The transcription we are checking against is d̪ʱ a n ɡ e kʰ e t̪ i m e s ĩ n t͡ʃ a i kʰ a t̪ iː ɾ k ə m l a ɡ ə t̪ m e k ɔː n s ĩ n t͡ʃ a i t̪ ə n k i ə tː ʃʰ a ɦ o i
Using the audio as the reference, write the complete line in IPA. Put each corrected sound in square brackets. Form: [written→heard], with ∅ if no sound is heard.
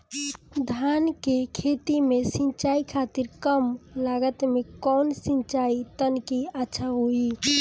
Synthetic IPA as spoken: d̪ʱ a n [ɡ→k] e kʰ e t̪ i m e s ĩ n t͡ʃ a i kʰ a t̪ [iː→i] ɾ k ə m l a ɡ ə t̪ m e k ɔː n s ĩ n t͡ʃ a i t̪ ə n k i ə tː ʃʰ a ɦ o i